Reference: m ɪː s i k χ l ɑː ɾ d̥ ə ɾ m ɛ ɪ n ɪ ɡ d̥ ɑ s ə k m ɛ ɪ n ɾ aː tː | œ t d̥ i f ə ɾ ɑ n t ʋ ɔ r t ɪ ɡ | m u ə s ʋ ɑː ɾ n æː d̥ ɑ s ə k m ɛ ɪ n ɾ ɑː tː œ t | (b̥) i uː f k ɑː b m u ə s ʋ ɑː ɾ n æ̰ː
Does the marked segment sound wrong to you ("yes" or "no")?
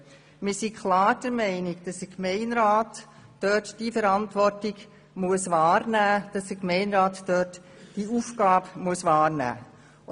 yes